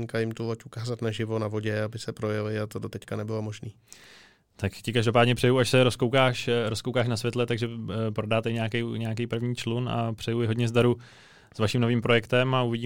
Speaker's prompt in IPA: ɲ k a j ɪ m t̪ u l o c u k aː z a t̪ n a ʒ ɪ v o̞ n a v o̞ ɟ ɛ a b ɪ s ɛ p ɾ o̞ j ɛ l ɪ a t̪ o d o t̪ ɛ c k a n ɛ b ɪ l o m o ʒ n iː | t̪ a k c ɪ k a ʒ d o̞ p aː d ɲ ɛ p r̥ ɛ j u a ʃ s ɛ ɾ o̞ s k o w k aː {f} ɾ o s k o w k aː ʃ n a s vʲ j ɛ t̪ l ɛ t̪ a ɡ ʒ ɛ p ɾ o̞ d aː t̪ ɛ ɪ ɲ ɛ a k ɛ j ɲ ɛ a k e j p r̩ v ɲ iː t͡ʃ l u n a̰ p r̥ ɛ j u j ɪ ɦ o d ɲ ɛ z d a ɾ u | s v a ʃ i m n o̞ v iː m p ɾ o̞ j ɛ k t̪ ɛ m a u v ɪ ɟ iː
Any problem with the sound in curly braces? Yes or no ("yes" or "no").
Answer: yes